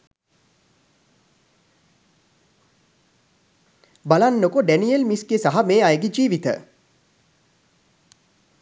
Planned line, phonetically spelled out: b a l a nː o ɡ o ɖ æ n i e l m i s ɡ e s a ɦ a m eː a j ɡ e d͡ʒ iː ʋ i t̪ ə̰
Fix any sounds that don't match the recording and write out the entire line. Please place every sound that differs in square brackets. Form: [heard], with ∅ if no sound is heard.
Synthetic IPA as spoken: b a l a nː o [k] o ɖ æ n i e l m i s ɡ e s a ɦ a m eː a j ɡ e d͡ʒ iː ʋ i t̪ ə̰